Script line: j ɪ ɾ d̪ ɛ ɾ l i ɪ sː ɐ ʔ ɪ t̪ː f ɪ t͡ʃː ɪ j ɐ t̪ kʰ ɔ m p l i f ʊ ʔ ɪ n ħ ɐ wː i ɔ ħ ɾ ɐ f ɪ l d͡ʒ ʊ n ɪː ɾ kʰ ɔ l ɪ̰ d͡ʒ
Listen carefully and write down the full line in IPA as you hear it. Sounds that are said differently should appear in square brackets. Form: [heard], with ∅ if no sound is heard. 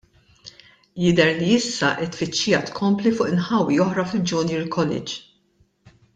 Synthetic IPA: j ɪ [∅] d̪ ɛ ɾ l i ɪ sː ɐ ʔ ɪ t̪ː f ɪ t͡ʃː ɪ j ɐ t̪ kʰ ɔ m p l i f ʊ ʔ ɪ n ħ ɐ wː i ɔ ħ ɾ ɐ f ɪ l d͡ʒ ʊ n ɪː ɾ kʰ ɔ l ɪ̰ d͡ʒ